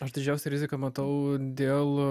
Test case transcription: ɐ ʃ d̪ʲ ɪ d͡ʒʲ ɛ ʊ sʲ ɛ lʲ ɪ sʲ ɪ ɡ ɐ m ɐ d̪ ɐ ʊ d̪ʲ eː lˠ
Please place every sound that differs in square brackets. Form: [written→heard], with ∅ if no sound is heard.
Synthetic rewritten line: ɐ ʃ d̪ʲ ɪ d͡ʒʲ ɛ ʊ sʲ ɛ [lʲ→ɾʲ] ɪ [sʲ→zʲ] ɪ [ɡ→k] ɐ m ɐ [d̪→t̪] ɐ ʊ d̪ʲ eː lˠ